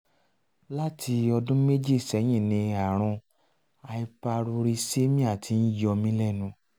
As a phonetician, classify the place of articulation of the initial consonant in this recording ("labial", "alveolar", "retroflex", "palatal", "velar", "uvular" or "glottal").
alveolar